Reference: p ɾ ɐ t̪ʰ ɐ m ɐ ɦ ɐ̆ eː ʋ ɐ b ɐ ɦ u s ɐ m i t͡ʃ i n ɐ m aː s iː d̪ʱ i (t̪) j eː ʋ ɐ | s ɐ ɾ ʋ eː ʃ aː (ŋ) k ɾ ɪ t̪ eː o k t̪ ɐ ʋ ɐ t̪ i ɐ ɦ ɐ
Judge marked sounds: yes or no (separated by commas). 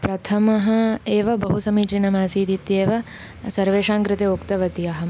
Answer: yes, yes